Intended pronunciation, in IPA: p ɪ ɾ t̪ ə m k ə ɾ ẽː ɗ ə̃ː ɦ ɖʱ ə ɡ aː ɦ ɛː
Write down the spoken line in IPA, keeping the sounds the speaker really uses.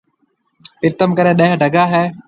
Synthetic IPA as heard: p ɪ ɾ t̪ ə m k ə ɾ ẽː ɗ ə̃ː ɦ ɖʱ ə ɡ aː ɦ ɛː